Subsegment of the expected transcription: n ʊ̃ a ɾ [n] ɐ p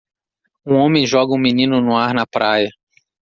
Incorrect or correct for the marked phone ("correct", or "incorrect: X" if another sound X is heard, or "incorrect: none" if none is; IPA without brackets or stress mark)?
correct